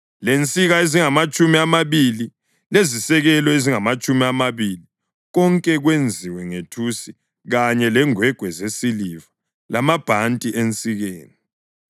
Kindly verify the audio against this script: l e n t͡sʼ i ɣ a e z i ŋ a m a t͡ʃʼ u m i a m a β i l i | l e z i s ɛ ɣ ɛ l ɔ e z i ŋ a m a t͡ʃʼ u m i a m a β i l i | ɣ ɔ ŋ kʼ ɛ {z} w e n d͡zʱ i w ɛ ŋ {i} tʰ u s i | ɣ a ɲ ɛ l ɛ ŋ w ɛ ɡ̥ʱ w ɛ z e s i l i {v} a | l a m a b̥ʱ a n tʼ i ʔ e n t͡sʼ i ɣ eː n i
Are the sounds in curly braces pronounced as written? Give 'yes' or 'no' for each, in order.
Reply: no, no, yes

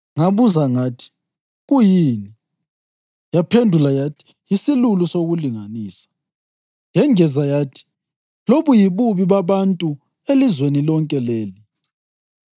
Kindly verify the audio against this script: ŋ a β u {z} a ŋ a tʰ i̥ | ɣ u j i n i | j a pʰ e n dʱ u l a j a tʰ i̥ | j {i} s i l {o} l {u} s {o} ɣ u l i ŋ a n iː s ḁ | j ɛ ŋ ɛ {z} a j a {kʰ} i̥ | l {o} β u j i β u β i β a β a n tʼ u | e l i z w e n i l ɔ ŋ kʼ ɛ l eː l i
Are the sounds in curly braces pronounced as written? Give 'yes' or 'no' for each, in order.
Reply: yes, yes, no, yes, yes, yes, no, yes

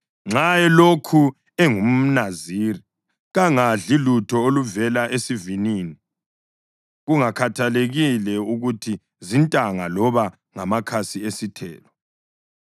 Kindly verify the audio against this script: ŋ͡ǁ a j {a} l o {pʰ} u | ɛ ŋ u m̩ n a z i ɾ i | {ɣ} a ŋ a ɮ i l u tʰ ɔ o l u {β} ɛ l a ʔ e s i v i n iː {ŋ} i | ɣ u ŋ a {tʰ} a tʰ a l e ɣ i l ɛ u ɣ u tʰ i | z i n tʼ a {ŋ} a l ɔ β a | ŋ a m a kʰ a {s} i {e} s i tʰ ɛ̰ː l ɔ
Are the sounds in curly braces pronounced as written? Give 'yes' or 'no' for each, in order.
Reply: no, no, yes, no, no, no, yes, yes, yes

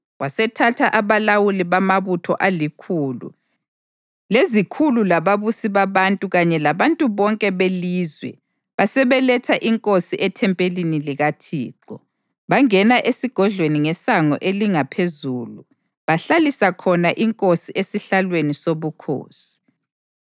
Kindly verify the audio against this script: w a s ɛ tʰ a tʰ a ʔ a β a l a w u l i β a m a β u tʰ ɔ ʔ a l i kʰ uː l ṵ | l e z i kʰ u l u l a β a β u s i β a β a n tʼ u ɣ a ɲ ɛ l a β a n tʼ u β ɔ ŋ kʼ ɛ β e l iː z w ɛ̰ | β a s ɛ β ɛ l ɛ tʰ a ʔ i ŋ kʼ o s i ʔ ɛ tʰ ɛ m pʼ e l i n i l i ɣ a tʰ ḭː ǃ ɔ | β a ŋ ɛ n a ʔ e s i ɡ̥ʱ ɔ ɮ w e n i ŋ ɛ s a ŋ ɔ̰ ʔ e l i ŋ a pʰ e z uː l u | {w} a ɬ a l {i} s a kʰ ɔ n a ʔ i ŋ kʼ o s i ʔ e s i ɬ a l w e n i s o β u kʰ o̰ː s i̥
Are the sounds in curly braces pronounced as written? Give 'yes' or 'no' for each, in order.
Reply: no, yes

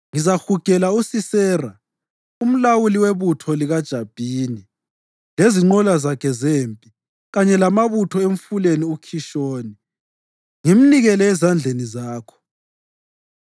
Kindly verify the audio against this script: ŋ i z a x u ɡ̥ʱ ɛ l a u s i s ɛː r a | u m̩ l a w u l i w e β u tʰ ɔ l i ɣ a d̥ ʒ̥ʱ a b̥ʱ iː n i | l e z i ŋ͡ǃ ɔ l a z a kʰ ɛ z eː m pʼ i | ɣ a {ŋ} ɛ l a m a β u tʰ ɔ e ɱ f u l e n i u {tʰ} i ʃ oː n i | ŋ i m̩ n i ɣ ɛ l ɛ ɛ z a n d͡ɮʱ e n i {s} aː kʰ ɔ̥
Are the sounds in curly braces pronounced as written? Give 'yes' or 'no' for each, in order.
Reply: no, no, no

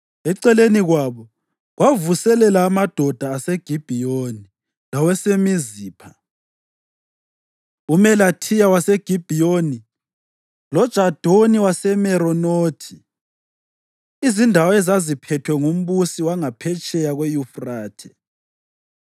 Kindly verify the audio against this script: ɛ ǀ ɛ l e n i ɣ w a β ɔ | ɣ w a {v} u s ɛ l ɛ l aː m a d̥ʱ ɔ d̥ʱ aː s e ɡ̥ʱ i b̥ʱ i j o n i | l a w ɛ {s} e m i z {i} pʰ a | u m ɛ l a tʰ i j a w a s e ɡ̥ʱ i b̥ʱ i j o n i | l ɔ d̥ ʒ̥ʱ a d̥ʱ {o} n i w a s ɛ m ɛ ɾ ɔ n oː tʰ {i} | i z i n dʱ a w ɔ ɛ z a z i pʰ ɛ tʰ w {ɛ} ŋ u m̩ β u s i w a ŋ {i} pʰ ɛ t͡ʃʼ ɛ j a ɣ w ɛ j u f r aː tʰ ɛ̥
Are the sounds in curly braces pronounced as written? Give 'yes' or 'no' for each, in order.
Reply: yes, yes, no, yes, yes, yes, no

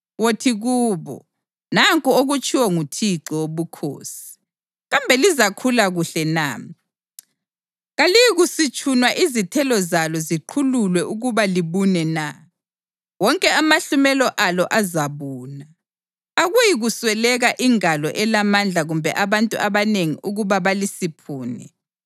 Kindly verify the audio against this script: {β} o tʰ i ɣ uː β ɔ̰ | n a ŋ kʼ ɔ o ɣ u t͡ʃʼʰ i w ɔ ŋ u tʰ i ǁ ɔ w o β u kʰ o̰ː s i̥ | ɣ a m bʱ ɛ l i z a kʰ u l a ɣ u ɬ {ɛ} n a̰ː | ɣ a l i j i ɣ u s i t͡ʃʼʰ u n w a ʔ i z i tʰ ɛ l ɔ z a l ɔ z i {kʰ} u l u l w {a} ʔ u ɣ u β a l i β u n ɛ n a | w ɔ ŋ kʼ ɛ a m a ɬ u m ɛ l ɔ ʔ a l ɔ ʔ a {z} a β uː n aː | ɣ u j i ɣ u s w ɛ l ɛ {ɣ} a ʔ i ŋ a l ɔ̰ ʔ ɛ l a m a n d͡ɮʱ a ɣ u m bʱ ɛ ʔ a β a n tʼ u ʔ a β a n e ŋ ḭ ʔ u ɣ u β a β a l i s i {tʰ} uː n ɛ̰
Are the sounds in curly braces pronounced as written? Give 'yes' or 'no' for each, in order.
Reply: no, yes, no, no, yes, yes, no

